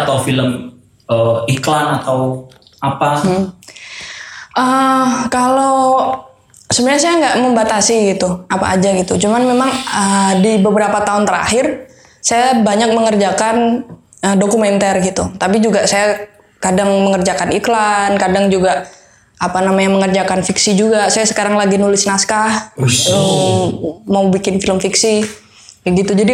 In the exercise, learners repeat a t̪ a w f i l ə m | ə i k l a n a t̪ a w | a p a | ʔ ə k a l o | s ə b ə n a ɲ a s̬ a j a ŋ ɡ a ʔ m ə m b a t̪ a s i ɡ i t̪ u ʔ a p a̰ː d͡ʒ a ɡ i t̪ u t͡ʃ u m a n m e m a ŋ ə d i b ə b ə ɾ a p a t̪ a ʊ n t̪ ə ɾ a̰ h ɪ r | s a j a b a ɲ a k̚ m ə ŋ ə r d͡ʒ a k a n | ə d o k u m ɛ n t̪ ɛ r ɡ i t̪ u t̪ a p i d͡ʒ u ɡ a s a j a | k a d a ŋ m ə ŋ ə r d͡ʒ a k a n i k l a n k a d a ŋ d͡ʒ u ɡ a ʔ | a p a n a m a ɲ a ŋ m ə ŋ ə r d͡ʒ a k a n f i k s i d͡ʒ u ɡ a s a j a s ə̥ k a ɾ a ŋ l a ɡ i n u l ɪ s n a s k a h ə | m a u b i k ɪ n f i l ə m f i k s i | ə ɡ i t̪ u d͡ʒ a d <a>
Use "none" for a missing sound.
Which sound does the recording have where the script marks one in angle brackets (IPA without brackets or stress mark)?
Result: i